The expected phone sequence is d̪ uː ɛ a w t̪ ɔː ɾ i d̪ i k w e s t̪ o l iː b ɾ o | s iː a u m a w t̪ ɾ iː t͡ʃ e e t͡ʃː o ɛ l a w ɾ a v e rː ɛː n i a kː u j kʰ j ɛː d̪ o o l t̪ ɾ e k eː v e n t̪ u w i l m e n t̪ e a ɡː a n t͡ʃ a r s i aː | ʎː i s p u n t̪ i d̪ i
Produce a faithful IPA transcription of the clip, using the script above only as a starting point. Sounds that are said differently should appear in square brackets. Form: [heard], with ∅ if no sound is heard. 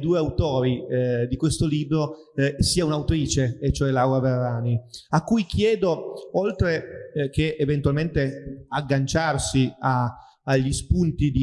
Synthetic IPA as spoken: d̪ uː [e] a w t̪ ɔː ɾ i d̪ i k w e s t̪ o l iː b ɾ o | s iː a u [n] a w t̪ ɾ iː t͡ʃ e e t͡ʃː o ɛ l a w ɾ a v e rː [aː] n i a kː u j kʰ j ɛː d̪ o o l t̪ ɾ e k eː v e n t̪ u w [a] l m e n t̪ e a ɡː a n t͡ʃ a r s i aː | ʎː i s p u n t̪ i d̪ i

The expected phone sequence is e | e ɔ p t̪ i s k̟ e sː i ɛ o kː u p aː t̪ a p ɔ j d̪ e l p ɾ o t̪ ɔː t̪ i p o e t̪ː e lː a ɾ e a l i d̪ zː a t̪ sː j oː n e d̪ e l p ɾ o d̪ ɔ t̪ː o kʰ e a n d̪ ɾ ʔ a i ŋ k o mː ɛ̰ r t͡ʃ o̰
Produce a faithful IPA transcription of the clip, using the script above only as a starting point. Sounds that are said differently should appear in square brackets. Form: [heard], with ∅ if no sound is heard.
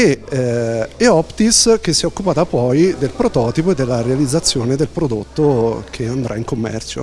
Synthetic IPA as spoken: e | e ɔ p t̪ i s k̟ e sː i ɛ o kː u p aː t̪ a p ɔ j d̪ e l p ɾ o t̪ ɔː t̪ i p o e [d̪ː] e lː a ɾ e a l i d̪ zː a t̪ sː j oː n e d̪ e l p ɾ o d̪ [o] t̪ː o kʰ e a n d̪ ɾ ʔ a i ŋ k o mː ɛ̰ r t͡ʃ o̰

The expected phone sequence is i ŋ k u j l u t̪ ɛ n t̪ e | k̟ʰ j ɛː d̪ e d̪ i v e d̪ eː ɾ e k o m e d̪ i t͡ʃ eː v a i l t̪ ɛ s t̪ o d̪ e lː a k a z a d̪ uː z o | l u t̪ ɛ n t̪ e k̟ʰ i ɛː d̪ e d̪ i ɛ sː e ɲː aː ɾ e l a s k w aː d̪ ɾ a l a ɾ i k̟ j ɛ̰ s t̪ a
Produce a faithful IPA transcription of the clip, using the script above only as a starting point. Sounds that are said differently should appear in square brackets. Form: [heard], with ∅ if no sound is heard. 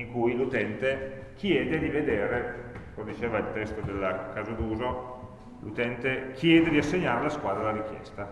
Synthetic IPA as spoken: i ŋ k u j l u t̪ ɛ n t̪ e | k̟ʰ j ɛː d̪ e d̪ i v e d̪ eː ɾ e k o m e d̪ i t͡ʃ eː v a i l t̪ ɛ s t̪ o d̪ e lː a k a z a d̪ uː z o | l u t̪ ɛ n t̪ e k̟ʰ [j] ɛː d̪ e d̪ i [a] sː e ɲː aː ɾ e l a s k w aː d̪ ɾ a l a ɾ i k̟ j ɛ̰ s t̪ a

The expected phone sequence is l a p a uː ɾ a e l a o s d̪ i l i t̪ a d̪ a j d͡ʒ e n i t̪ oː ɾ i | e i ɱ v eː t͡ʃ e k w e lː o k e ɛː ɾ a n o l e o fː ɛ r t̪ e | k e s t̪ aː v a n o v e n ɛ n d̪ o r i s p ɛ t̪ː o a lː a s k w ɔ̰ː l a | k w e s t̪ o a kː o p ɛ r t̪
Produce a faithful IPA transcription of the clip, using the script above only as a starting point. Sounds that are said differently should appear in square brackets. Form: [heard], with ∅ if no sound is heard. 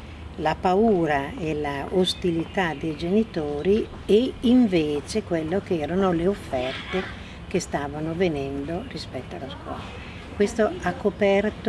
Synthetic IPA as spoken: l a p a uː ɾ a e l a o s [t̪] i l i t̪ a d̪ [e] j d͡ʒ e n i t̪ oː ɾ i | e i ɱ v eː t͡ʃ e k w e lː o k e ɛː ɾ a n o l e o fː ɛ r t̪ e | k e s t̪ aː v a n o v e n ɛ n d̪ o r i s p ɛ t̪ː o a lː a s k w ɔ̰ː l a | k w e s t̪ o a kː o p ɛ r t̪

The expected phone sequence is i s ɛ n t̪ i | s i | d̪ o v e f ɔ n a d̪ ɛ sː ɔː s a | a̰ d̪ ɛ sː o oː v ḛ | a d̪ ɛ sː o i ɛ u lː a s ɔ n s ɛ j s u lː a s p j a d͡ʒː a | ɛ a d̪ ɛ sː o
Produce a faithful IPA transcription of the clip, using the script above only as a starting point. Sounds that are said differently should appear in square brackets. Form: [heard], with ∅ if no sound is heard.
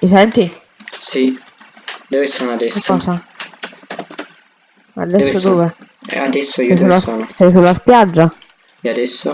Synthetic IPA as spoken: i s ɛ n t̪ i | s i | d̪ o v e [s] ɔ n a d̪ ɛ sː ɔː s a | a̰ d̪ ɛ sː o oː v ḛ | a d̪ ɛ sː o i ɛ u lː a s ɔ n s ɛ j s u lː a s p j a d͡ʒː a | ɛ a d̪ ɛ sː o

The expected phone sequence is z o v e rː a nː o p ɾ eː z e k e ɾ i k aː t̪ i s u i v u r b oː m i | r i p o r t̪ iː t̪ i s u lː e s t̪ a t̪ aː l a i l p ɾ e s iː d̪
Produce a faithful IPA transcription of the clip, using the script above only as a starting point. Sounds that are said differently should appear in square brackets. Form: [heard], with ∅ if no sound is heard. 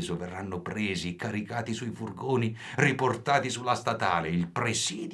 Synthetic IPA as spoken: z o v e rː a nː o p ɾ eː z [i] k [a] ɾ i k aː t̪ i s u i [f] u r [ɡ] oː [n] i | r i p o r t̪ [aː] t̪ i s u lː [a] s t̪ a t̪ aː l [e] i l p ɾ e s iː d̪

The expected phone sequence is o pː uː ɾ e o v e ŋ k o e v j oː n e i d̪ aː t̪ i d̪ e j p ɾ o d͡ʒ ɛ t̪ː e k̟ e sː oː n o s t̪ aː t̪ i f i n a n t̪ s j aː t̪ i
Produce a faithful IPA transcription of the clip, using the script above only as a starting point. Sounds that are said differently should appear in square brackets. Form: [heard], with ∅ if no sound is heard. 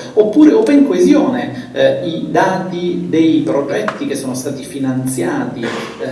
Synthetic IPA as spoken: o pː uː ɾ e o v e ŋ k o e [z] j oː n e i d̪ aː t̪ i d̪ e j p ɾ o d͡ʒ ɛ t̪ː [i] k̟ e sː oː n o s t̪ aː t̪ i f i n a n t̪ s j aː t̪ i

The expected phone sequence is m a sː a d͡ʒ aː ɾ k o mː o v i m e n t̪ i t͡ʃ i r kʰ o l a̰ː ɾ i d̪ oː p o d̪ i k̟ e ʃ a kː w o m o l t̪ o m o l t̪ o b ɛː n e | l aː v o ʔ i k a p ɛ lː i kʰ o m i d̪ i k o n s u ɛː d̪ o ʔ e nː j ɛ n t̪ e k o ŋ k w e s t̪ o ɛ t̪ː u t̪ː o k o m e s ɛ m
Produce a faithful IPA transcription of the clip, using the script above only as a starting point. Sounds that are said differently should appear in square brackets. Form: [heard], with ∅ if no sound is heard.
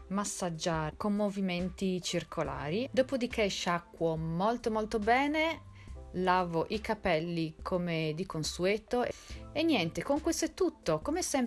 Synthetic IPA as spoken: m a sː a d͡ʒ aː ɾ k o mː o v i m e n t̪ i t͡ʃ i r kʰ o l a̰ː ɾ i d̪ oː p o d̪ i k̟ e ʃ a kː w o m o l t̪ o m o l t̪ o b ɛː n e | l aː v o ʔ i k a p ɛ lː i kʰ o m [e] d̪ i k o n s u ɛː [t̪] o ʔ e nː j ɛ n t̪ e k o ŋ k w e s t̪ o ɛ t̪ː u t̪ː o k o m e s ɛ m

